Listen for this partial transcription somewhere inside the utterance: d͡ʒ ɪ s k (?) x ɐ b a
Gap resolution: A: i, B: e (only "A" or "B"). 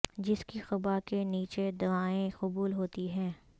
A